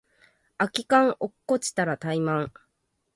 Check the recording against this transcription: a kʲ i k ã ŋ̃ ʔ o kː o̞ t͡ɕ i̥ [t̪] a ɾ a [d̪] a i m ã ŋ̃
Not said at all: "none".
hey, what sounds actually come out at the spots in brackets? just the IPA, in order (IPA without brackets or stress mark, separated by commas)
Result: t̪, t̪